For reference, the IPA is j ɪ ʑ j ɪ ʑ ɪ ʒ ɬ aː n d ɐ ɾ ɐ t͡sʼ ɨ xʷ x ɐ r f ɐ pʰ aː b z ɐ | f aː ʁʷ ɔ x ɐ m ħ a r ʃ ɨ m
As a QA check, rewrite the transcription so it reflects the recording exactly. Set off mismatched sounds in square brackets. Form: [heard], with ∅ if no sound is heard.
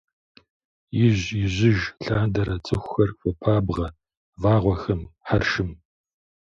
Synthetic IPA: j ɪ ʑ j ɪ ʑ ɪ ʒ ɬ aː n d ɐ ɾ ɐ t͡sʼ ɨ xʷ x ɐ r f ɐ pʰ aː b [ʁ] ɐ | [v] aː ʁʷ ɔ x ɐ m ħ a r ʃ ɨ m